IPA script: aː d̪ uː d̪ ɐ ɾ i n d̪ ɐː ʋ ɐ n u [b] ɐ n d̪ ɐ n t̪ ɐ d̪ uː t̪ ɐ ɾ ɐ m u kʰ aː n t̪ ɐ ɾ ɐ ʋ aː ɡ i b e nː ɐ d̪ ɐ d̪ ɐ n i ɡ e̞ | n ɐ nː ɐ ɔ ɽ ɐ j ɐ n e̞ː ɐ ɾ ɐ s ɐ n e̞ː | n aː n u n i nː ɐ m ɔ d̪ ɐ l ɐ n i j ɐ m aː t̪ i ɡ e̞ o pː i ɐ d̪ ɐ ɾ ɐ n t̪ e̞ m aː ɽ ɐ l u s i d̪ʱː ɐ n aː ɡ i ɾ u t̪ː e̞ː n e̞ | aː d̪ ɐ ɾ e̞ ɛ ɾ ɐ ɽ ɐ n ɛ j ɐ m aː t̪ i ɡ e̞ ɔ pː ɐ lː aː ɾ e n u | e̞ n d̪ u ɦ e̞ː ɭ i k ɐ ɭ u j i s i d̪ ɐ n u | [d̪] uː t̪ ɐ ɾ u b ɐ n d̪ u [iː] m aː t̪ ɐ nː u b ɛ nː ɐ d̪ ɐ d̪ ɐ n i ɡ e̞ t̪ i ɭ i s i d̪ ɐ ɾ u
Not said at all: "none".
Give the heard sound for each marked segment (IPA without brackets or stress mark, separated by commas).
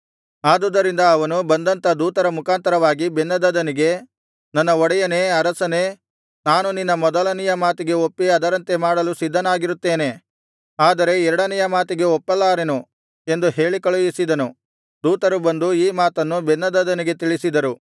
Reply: b, d̪, iː